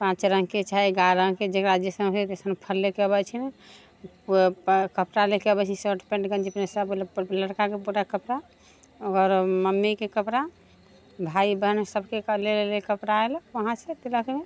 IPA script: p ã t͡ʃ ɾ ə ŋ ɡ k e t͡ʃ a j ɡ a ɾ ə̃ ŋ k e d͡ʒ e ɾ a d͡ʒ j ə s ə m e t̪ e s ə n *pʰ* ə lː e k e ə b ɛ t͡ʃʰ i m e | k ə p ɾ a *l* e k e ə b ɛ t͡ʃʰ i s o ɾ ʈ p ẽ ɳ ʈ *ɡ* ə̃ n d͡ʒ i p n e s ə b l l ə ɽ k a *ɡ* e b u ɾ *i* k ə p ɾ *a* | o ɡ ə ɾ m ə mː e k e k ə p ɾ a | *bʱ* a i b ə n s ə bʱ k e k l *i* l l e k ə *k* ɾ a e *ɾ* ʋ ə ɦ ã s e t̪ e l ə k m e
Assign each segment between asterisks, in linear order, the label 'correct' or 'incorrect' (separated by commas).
correct, correct, correct, incorrect, incorrect, correct, correct, incorrect, incorrect, incorrect